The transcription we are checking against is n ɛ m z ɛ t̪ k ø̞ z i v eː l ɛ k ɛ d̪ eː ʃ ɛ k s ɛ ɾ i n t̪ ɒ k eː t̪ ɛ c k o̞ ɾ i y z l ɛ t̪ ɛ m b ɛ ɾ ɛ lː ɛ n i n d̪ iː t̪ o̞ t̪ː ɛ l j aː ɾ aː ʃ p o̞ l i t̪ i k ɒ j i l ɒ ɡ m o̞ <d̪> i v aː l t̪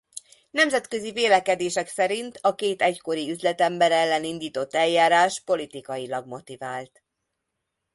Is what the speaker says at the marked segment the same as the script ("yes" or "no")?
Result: no